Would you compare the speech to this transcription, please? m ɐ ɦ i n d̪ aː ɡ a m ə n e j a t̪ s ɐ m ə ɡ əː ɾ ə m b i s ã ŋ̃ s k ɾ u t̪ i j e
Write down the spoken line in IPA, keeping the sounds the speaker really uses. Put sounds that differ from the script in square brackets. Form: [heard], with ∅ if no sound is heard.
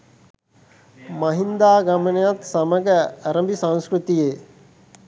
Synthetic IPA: m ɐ ɦ i n d̪ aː ɡ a m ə n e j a t̪ s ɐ m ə ɡ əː ɾ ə m b i s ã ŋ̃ s k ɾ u t̪ i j e